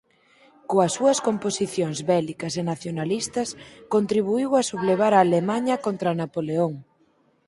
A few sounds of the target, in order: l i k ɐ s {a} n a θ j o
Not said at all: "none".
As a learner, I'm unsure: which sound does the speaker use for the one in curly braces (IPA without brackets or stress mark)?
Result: e